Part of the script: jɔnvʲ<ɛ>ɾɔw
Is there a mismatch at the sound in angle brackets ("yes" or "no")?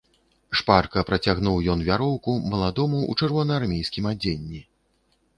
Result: yes